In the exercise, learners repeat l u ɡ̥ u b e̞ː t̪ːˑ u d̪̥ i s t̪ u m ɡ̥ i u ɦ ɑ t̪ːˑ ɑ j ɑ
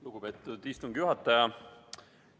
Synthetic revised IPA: l u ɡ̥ u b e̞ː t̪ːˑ u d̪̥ i s t̪ u ŋ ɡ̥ j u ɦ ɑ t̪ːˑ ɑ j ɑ